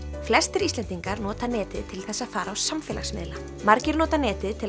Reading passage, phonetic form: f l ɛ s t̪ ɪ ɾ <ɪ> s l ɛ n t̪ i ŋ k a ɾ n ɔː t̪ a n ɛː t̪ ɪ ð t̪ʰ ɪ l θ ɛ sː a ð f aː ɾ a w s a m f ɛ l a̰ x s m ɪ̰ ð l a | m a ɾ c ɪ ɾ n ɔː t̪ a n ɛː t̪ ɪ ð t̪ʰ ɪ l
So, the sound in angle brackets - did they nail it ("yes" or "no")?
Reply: no